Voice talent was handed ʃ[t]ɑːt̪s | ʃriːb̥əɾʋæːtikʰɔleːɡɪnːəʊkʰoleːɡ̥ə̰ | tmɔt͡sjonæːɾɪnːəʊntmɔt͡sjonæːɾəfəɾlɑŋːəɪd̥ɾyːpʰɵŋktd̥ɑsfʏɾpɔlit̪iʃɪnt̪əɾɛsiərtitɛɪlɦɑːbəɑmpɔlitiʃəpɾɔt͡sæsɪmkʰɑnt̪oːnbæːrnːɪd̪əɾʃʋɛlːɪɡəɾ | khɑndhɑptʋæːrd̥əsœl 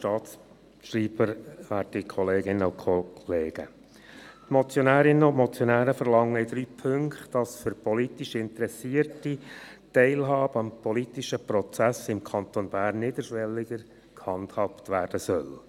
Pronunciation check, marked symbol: correct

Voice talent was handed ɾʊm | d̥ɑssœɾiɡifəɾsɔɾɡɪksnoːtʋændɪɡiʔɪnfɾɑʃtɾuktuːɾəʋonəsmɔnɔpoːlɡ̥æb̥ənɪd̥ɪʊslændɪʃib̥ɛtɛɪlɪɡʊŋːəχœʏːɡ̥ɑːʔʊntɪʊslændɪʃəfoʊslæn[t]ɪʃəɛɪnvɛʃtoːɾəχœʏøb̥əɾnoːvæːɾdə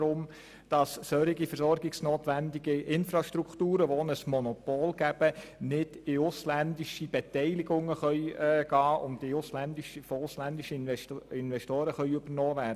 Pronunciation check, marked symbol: incorrect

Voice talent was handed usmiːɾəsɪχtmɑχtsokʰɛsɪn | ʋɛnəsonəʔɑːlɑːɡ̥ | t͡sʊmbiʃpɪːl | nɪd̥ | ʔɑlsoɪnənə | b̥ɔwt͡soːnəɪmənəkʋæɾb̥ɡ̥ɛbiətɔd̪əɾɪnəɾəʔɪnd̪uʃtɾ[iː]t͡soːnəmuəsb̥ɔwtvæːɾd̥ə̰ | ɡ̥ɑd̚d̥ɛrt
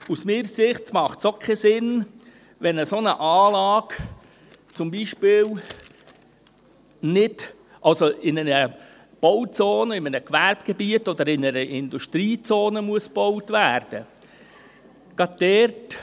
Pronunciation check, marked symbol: correct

